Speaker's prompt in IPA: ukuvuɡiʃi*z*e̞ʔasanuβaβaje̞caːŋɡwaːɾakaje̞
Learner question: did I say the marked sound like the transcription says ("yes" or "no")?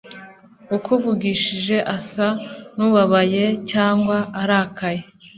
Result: no